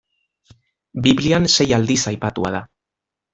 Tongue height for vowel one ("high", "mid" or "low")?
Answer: high